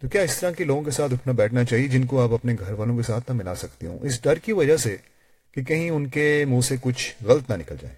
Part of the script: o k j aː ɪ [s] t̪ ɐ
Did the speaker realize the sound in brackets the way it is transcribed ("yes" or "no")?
yes